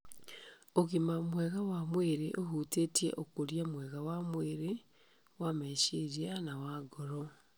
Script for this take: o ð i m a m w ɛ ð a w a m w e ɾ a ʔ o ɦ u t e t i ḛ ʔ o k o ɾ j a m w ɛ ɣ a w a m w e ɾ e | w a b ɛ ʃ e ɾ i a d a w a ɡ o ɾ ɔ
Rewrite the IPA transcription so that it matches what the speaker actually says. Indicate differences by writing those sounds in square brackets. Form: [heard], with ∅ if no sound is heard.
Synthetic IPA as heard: o [ɣ] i m a m w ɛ [ɣ] a w a m w e ɾ [e] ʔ o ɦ u t e t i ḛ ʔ o k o ɾ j a m w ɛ ɣ a w a m w e ɾ e | w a [m] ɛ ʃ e ɾ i a [n] a w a ɡ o ɾ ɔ

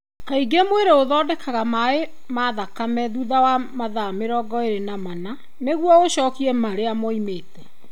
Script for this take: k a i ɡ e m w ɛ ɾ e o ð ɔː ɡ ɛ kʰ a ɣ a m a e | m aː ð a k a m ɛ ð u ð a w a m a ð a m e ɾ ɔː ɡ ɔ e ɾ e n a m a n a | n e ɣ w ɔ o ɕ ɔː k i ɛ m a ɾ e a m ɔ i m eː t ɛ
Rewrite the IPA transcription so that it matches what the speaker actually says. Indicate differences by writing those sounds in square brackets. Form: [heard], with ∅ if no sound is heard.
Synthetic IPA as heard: k a i ɡ e m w [e] ɾ e o ð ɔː [d] ɛ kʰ a ɣ a m a e | m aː ð a k a m ɛ ð u ð a w a m a ð a m e ɾ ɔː ɡ ɔ e ɾ e n a m a n a | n e ɣ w ɔ o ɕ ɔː k i ɛ m a ɾ e a m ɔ i m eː t ɛ

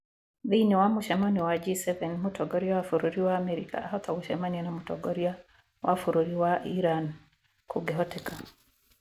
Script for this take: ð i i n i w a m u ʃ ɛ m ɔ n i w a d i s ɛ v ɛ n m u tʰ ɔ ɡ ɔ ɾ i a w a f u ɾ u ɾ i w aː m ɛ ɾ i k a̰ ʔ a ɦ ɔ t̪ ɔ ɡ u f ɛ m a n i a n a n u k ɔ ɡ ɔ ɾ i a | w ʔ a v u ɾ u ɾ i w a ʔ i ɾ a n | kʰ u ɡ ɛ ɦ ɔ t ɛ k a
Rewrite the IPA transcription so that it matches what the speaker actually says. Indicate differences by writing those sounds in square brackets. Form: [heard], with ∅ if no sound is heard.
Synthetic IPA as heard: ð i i n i w a m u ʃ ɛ m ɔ n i w a [d͡ʒ] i s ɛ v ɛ n m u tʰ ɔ ɡ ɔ ɾ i a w a f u ɾ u ɾ i w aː m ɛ ɾ i k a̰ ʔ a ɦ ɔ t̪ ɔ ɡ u [ʃ] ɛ m a n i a n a [m] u [t] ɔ ɡ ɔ ɾ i a | w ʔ a [f] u ɾ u ɾ i w a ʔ i ɾ a n | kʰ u ɡ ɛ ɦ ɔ t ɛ k a

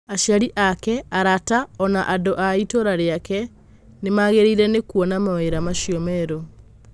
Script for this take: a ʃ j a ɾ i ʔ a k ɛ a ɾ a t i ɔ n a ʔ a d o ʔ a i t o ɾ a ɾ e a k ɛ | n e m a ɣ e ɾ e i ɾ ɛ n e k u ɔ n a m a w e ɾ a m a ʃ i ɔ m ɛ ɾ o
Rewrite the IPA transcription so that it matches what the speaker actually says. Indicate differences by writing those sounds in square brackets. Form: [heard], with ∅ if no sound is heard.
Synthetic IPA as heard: a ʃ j a ɾ i ʔ a k ɛ a ɾ a t [a] ɔ n a ʔ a d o ʔ a i t o ɾ a ɾ e a k ɛ | n e m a ɣ e ɾ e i ɾ ɛ n e k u ɔ n a m a w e ɾ a m a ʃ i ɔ m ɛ ɾ o

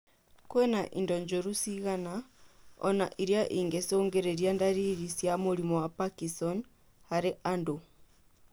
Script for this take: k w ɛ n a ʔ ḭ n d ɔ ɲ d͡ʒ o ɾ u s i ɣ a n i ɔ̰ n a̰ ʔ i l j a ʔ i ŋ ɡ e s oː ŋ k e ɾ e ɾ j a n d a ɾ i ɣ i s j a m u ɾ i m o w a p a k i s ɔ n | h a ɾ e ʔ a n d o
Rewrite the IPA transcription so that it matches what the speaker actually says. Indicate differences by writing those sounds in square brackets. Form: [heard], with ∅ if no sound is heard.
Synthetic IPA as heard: k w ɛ n a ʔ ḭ n d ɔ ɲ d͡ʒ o ɾ u s i ɣ a n [a] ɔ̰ n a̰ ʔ i [ɾ] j a ʔ i ŋ ɡ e s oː ŋ [ɡ] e ɾ e ɾ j a n d a ɾ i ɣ i s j a m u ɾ i m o w a p a k i s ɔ n | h a ɾ e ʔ a n d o

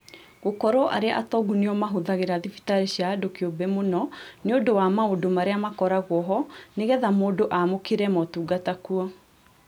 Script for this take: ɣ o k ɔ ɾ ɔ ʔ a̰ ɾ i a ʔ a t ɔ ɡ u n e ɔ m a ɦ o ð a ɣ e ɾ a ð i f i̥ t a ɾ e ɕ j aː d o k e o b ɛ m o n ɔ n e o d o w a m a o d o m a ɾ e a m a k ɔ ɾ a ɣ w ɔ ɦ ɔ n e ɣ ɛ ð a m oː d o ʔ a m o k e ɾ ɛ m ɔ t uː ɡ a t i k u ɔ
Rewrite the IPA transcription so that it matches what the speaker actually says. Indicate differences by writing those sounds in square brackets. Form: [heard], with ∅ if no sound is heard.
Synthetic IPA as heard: ɣ o k ɔ ɾ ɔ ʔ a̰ ɾ [e] a ʔ a t ɔ ɡ u n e ɔ m a ɦ o ð a ɣ e ɾ a ð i f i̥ t a ɾ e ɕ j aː d o k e o b ɛ m o n ɔ n e o d o w a m a o d o m a ɾ e a m a k ɔ ɾ a ɣ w ɔ ɦ ɔ n e ɣ ɛ ð a m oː d o ʔ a m o k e ɾ ɛ m ɔ t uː ɡ a t [a] k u ɔ

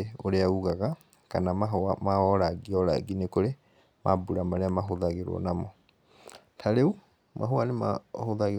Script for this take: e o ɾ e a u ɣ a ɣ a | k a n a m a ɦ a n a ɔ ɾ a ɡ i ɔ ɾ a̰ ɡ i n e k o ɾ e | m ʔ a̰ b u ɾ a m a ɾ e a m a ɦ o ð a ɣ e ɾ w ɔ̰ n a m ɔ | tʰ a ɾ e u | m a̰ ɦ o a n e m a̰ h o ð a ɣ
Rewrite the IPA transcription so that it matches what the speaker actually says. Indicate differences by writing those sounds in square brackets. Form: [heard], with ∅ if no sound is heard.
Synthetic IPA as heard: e o ɾ e a u ɣ a ɣ a | k a n a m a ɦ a [m] a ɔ ɾ a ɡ i ɔ ɾ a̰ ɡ i n e k o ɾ e | m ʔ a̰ b u ɾ a m a ɾ e a m a ɦ o ð a ɣ e ɾ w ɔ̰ n a m ɔ | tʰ a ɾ e u | m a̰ ɦ o a n e m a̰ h o ð a ɣ

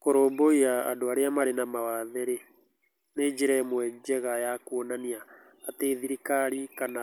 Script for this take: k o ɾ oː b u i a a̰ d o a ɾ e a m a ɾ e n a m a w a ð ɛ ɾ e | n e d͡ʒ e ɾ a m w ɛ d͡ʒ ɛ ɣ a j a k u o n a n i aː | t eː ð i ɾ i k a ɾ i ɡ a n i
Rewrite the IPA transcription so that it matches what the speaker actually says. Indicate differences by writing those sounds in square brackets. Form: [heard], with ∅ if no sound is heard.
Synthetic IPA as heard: k o ɾ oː b [o] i a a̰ d o a ɾ e a m a ɾ e n a m a w a ð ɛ ɾ e | n e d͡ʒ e ɾ [ɛ] m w ɛ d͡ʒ ɛ ɣ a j a k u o n a n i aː | t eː ð i ɾ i k a ɾ i [k] a n [a]

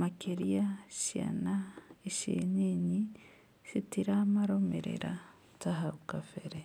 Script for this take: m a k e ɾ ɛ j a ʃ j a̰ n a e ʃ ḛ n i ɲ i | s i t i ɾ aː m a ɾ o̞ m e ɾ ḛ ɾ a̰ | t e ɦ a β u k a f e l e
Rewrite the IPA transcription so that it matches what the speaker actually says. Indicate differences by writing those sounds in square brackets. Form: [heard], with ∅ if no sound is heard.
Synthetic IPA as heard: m a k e ɾ [i] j a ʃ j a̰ n a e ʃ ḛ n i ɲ i | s i t i ɾ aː m a ɾ o̞ m e ɾ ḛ ɾ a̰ | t [a] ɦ a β u k a f e [ɾ] e

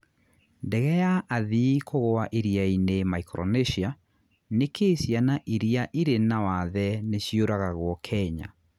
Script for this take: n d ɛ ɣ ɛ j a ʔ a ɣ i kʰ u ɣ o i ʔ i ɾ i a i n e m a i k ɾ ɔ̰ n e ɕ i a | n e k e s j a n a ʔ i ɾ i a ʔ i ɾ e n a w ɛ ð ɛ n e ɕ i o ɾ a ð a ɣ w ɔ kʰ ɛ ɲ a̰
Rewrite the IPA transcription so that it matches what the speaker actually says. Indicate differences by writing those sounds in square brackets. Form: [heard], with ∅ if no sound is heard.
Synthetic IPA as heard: n d ɛ ɣ ɛ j a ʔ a [ð] i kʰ [o] ɣ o [a] ʔ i ɾ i a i n e m a i k ɾ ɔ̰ n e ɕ i a | n e k e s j a n a ʔ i ɾ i a ʔ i ɾ e n a w [a] ð ɛ n e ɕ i o ɾ a [ɣ] a ɣ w ɔ kʰ ɛ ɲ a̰

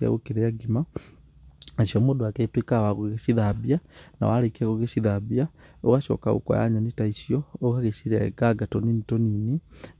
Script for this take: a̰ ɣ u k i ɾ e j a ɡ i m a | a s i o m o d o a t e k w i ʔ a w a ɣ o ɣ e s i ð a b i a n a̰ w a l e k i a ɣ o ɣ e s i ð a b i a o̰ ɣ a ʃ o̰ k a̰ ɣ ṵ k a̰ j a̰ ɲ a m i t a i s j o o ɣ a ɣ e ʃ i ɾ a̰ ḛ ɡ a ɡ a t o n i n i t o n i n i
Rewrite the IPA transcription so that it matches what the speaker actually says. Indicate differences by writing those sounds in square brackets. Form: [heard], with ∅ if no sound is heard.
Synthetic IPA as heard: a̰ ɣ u k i ɾ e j a ɡ i m a | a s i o m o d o a [k] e [t] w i [k] a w a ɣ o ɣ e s i ð a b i a n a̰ w a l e k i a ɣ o ɣ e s i ð a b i a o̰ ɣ a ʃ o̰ k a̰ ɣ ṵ k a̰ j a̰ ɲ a [n] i t a i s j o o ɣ a ɣ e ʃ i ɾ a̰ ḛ ɡ a ɡ a t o n i n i t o n i n i

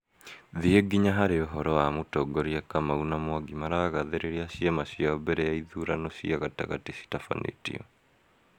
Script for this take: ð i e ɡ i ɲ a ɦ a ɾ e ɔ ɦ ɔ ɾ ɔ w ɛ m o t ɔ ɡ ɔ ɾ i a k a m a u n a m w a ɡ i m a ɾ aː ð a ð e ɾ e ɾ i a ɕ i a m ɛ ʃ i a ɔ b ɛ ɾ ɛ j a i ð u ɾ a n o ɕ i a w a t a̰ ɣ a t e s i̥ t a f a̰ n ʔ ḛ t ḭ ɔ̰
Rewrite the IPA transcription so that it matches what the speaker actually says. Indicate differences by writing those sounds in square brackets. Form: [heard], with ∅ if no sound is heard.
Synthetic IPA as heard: ð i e ɡ i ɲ a ɦ a ɾ e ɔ ɦ ɔ ɾ ɔ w [a] m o t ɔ ɡ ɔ ɾ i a k a m a u n a m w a ɡ i m a ɾ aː [ɣ] a ð e ɾ e ɾ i a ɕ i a m [a] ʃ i a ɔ b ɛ ɾ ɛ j a i ð u ɾ a n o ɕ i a [ɣ] a t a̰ ɣ a t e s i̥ t a f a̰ n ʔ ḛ t ḭ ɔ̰

